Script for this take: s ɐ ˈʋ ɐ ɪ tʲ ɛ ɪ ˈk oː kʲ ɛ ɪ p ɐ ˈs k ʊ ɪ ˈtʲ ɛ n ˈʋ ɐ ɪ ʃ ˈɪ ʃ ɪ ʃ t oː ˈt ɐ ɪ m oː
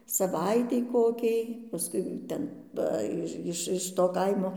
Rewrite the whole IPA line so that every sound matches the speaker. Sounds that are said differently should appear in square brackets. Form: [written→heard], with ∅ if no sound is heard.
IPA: s ɐ ˈʋ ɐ ɪ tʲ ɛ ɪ ˈk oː kʲ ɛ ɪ p ɐ ˈs k ʊ ɪ ˈtʲ ɛ n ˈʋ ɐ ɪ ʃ ˈɪ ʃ ɪ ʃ t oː [ˈt→ˈk] ɐ ɪ m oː